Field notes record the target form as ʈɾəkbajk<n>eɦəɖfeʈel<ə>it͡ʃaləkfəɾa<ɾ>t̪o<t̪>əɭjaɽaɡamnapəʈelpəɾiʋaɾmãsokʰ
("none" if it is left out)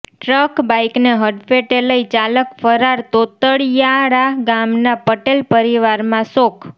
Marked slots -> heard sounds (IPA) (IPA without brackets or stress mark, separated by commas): n, ə, ɾ, t̪